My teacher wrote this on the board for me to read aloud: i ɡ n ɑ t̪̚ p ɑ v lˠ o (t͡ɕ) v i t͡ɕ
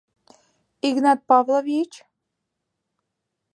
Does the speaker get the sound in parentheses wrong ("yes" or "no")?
yes